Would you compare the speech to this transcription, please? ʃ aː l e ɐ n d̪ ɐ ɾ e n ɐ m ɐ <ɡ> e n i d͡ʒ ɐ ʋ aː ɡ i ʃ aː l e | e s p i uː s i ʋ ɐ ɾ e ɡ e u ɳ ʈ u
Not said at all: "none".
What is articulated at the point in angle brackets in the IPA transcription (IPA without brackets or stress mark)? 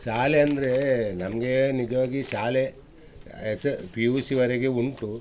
ɡ